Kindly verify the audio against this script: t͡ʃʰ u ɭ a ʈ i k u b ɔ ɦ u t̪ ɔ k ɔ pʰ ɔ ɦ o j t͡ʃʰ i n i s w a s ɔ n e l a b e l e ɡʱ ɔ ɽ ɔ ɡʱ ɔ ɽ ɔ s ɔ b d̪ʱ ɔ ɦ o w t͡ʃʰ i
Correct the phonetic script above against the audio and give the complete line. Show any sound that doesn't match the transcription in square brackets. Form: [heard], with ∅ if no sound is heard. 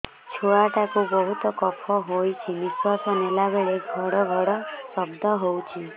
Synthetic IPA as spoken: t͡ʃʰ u ɭ a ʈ [a] k u b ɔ ɦ u t̪ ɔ k ɔ pʰ ɔ ɦ o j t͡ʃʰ i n i s w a s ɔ n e l a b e [ɭ] e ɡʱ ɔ ɽ ɔ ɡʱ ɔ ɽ ɔ s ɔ b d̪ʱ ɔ ɦ o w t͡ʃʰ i